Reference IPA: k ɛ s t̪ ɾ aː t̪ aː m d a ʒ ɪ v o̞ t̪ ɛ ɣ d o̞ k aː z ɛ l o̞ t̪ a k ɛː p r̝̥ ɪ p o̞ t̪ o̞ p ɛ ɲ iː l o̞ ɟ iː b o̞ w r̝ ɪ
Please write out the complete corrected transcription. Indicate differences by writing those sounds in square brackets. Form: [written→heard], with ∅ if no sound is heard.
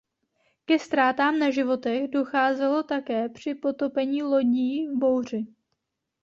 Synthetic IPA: k ɛ s t̪ ɾ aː t̪ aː m [d→n] a ʒ ɪ v o̞ t̪ ɛ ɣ d o̞ [k→x] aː z ɛ l o̞ t̪ a k ɛː p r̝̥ ɪ p o̞ t̪ o̞ p ɛ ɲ iː l o̞ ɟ iː b o̞ w r̝ ɪ